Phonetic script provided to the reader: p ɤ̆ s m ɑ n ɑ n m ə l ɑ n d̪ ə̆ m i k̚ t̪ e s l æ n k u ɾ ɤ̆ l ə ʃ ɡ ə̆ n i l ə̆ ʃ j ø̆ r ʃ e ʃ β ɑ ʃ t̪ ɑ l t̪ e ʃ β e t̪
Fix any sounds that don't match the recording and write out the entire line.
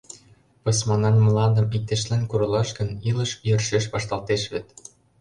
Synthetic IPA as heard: p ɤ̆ s m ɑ n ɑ n m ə l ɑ n d̪ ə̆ m i k̚ t̪ e ʃ l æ n k u ɾ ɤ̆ l ɑ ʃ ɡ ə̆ n i l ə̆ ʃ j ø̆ r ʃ e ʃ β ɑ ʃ t̪ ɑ l t̪ e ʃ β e t̪